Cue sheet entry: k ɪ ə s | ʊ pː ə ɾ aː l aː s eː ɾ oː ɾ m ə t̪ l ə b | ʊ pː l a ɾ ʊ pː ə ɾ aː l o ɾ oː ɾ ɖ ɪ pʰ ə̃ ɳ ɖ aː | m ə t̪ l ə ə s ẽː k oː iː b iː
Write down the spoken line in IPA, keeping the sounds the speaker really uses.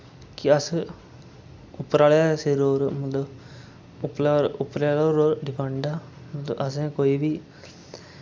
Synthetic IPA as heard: k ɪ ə s | ʊ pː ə ɾ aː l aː s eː ɾ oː ɾ m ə t̪ l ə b | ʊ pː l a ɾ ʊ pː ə ɾ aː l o ɾ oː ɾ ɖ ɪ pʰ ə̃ ɳ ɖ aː | m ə t̪ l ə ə s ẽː k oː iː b iː